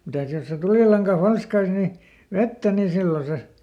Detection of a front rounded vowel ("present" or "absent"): absent